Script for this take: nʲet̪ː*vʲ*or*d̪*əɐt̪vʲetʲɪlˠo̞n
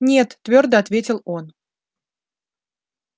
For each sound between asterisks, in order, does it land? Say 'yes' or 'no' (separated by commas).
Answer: yes, yes